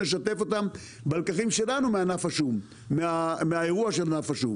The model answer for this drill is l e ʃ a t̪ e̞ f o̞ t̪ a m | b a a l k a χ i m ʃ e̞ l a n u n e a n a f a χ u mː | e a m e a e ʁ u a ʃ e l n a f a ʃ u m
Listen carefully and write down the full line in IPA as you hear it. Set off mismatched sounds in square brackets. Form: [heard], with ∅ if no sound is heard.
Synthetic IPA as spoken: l e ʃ a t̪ e̞ f o̞ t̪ a m | b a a l k a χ i m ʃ e̞ l a n u [m] e a n a f a [ʃ] u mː | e a m e a e ʁ u a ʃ e l n a f a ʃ u m